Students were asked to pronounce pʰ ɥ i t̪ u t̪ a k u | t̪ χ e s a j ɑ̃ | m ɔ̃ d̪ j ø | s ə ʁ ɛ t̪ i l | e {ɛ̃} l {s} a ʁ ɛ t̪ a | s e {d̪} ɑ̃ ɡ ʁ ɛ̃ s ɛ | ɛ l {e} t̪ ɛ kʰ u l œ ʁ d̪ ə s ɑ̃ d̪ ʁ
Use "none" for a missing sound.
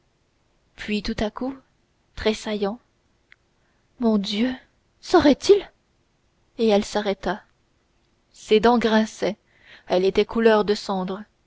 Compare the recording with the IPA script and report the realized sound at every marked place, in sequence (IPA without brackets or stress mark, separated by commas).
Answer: ɛ, s, d̪, e